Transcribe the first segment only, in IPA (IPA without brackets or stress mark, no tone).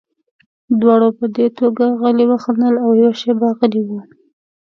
d̪